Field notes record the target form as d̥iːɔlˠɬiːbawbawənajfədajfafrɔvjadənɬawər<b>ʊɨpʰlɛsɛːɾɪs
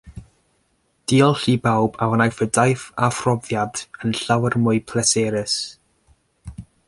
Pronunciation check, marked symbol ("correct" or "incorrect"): incorrect